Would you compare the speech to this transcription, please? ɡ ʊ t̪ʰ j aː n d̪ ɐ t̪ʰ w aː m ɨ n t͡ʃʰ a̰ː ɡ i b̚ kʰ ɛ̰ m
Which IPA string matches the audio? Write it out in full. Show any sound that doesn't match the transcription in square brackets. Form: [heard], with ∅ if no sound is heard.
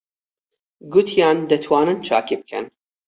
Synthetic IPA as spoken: ɡ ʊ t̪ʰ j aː n d̪ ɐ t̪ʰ w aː [n] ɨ n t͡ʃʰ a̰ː [k] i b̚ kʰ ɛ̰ [n]